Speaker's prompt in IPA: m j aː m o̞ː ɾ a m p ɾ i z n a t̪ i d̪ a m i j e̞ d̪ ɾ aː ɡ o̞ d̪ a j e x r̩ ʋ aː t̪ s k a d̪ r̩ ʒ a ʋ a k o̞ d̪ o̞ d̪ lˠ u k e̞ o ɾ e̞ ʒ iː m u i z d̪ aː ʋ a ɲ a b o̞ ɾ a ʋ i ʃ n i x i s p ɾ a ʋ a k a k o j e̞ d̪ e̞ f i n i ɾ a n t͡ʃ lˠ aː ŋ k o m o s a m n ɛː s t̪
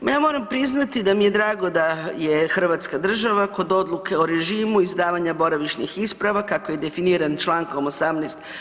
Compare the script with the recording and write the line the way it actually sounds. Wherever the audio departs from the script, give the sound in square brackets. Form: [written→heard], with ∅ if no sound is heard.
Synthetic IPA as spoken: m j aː m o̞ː ɾ a m p ɾ i z n a t̪ i d̪ a m i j e̞ d̪ ɾ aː ɡ o̞ d̪ a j e x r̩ ʋ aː t̪ s k a d̪ r̩ ʒ a ʋ a k o̞ d̪ o̞ d̪ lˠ u k e̞ o ɾ e̞ ʒ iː m u i z d̪ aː ʋ a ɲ a b o̞ ɾ a ʋ i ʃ n i x i s p ɾ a ʋ a k a k o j e̞ d̪ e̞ f i n i ɾ a n t͡ʃ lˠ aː ŋ k o m o s a m n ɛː s t̪